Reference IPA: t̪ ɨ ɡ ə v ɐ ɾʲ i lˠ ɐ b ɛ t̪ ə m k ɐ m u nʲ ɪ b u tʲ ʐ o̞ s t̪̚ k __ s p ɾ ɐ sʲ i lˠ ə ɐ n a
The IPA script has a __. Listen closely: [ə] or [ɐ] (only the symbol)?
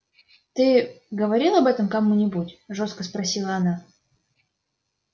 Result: ə